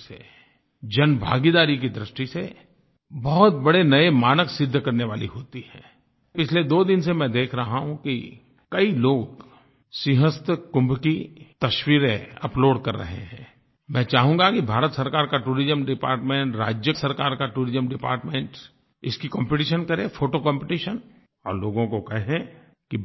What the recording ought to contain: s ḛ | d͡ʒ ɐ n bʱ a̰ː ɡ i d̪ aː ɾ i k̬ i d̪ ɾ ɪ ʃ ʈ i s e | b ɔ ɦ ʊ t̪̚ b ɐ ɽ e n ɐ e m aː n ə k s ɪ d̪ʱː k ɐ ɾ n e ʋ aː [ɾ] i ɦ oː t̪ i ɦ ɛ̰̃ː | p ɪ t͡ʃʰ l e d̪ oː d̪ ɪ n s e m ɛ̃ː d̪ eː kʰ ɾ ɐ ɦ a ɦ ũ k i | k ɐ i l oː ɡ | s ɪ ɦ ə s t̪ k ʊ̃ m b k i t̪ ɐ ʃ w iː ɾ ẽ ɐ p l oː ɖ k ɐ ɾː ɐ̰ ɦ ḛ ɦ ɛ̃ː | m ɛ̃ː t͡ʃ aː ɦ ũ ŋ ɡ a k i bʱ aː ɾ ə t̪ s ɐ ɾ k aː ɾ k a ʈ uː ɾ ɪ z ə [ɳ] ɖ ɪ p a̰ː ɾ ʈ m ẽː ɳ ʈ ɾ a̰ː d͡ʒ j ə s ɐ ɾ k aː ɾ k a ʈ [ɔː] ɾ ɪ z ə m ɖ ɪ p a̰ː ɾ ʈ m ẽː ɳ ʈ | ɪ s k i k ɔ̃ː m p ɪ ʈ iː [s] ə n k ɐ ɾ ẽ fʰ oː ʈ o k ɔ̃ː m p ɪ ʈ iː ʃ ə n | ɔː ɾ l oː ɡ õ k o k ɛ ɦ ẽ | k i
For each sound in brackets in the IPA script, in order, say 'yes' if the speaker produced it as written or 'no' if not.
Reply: no, no, no, no

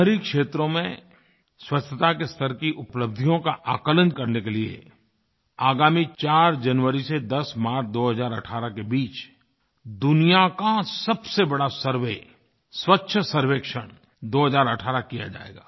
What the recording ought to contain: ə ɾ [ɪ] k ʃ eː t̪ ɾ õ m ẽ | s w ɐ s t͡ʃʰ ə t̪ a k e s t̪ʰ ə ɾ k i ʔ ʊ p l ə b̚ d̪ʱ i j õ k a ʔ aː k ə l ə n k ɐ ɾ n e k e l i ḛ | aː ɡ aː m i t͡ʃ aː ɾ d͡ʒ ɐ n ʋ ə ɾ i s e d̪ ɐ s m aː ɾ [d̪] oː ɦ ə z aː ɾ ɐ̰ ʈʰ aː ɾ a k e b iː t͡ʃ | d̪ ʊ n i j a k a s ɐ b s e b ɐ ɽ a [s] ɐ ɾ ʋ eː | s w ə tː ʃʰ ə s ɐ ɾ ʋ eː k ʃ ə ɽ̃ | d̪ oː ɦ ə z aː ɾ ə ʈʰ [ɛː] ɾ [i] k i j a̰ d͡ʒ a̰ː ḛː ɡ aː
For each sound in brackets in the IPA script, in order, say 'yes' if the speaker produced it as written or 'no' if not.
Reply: no, yes, yes, no, no

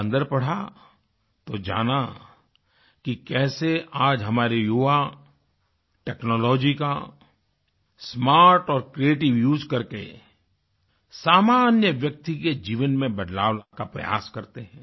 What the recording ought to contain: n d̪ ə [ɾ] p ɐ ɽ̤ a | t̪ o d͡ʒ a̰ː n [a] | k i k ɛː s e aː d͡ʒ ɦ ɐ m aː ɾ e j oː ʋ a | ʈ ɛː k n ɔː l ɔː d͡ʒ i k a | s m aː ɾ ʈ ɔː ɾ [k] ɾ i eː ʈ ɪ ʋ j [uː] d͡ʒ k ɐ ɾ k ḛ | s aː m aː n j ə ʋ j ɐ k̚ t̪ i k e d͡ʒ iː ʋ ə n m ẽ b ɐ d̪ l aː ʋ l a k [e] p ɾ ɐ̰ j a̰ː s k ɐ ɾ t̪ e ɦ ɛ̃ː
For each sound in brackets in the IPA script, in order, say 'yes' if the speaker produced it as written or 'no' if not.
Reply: yes, yes, yes, yes, no

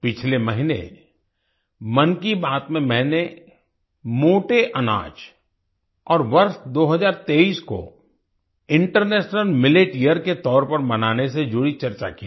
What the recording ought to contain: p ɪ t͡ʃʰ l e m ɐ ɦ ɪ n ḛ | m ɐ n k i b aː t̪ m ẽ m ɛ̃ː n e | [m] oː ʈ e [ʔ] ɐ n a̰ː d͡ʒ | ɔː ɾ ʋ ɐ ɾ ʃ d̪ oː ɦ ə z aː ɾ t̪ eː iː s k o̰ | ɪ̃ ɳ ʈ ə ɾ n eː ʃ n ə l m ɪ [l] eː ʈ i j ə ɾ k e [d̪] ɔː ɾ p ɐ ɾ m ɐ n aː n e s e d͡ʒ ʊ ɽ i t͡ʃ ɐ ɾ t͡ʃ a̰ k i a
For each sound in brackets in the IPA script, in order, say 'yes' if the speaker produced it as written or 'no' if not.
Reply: yes, yes, yes, no

